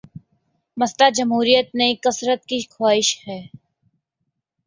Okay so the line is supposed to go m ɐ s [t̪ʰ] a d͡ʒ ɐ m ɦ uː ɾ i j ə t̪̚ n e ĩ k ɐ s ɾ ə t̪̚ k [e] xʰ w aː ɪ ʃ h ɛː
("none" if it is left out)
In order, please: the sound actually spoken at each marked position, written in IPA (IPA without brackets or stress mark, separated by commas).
t̪, i